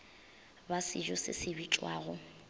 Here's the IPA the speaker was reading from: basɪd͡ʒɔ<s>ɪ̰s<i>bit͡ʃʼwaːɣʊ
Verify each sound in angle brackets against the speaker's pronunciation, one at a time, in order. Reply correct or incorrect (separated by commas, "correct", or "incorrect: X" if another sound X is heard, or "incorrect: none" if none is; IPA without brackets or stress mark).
correct, incorrect: ɪ